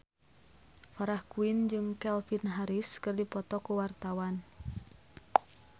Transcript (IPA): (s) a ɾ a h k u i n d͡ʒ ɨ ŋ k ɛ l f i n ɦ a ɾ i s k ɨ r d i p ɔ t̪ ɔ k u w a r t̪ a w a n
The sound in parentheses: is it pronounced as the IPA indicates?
no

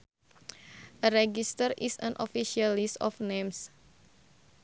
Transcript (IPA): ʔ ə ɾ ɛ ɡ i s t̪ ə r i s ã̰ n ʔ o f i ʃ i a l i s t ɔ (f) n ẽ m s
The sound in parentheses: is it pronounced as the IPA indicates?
yes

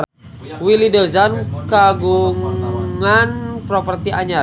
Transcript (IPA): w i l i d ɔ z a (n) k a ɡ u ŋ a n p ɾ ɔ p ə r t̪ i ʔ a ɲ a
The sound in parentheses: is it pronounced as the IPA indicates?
yes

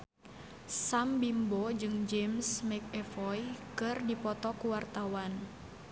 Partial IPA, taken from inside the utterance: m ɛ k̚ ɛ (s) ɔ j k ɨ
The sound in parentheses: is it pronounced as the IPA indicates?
no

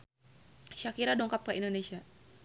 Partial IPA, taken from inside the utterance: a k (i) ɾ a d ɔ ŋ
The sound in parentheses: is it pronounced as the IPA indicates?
yes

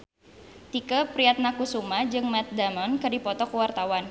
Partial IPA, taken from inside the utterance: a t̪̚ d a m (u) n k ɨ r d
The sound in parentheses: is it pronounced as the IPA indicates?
no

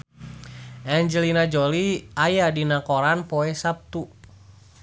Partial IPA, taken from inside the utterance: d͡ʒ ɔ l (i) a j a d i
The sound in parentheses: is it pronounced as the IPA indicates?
yes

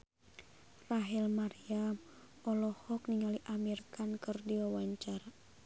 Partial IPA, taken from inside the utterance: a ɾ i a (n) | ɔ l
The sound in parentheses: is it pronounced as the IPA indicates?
no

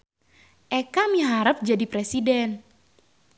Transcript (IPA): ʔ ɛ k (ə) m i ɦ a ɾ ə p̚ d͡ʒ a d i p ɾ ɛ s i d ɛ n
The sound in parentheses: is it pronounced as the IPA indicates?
no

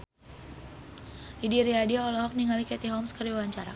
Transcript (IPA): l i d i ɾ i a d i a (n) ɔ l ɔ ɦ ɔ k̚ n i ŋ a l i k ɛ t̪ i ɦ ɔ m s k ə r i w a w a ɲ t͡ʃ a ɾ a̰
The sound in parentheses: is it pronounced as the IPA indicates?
no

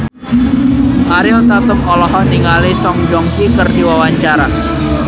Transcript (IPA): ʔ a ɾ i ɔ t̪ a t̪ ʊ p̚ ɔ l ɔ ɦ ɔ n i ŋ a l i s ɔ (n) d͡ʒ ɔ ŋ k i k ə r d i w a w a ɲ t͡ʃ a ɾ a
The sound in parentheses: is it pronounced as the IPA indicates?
no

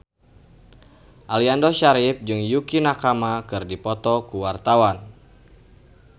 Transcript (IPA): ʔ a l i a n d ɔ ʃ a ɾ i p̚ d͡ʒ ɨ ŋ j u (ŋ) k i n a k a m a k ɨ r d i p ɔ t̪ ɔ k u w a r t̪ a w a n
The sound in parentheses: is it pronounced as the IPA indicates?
no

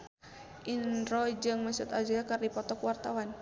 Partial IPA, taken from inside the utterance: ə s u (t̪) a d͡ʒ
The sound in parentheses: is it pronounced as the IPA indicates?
yes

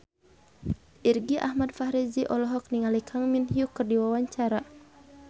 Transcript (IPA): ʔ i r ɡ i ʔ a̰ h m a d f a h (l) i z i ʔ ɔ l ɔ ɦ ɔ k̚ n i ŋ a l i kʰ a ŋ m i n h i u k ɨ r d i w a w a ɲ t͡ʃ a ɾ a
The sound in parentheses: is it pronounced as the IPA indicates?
no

